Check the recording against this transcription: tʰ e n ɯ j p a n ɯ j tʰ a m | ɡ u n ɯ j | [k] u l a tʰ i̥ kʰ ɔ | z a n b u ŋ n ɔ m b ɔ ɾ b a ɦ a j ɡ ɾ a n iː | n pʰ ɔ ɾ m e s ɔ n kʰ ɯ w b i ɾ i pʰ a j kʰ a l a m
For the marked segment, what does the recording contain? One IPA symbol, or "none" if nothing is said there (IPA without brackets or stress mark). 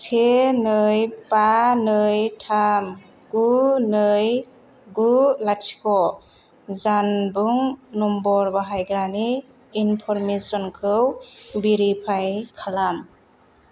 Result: ɡ